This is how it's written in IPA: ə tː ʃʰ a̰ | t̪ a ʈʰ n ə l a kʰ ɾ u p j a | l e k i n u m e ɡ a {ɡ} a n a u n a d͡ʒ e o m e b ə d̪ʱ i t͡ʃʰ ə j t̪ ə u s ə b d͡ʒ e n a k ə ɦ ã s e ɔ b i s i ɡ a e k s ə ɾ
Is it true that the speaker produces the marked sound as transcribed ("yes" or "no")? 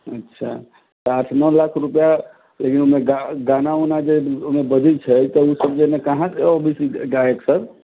yes